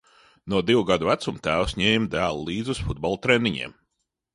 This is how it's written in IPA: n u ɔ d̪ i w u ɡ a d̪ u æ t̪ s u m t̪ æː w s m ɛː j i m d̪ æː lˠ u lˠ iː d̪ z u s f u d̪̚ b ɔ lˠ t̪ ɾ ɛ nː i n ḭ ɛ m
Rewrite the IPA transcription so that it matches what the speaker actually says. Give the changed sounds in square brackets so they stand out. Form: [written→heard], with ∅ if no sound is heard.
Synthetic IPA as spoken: n u ɔ d̪ i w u ɡ a d̪ u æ t̪ s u m t̪ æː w s [m→ɲ] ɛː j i m d̪ æː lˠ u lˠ iː d̪ z u s f u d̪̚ b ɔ lˠ t̪ ɾ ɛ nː i [n→ɲ] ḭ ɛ m

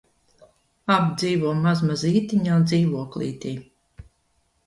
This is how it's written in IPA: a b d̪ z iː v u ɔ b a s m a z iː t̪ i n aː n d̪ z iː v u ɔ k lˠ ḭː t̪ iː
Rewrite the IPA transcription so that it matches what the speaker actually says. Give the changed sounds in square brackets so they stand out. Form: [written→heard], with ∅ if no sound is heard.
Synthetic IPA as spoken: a b d̪ z iː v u ɔ [b→m] a [s→z] m a z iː t̪ i [n→ɲ] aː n d̪ z iː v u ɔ k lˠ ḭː t̪ iː

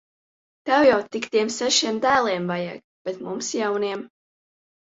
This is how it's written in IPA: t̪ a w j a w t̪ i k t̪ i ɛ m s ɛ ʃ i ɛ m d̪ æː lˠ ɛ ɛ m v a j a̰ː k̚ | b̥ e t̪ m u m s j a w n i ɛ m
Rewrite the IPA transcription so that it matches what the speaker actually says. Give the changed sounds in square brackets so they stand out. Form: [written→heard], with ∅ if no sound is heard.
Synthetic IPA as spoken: t̪ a w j a w t̪ i k t̪ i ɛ m s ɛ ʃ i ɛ m d̪ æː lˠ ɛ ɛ m v a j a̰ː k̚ | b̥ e t̪ m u m s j a w n i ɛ m

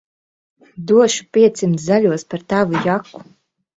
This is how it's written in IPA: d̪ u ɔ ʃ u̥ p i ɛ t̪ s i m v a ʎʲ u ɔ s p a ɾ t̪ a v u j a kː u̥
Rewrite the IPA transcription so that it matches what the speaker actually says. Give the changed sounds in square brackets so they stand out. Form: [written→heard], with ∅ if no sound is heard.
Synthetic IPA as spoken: d̪ u ɔ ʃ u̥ p i ɛ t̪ s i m [v→z] a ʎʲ u ɔ s p a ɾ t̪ a v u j a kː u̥

